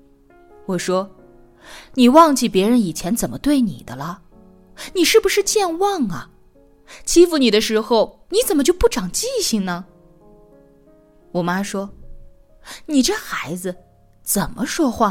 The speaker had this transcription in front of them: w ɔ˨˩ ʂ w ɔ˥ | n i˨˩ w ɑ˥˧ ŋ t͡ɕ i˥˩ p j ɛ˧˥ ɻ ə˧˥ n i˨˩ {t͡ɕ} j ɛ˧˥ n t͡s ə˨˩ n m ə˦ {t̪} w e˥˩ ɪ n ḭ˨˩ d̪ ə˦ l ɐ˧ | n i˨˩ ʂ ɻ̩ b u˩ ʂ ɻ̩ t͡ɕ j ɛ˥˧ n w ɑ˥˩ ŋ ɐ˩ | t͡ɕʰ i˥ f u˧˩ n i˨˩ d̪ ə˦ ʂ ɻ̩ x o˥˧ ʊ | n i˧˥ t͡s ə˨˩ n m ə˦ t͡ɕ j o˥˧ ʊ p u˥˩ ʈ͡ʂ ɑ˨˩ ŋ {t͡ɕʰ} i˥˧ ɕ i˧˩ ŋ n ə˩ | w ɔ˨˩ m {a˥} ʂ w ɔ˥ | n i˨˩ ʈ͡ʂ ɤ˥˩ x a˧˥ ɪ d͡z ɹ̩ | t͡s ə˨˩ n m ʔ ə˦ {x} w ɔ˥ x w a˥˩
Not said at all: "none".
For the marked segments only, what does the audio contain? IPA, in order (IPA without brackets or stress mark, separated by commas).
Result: t͡ɕʰ, t̪, t͡ɕ, a˥, ʂ